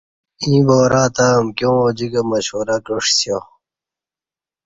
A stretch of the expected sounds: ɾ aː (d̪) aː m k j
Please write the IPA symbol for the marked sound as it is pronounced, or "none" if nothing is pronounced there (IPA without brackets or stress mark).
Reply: t̪